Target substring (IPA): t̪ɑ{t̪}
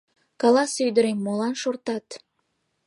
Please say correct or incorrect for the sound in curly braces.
correct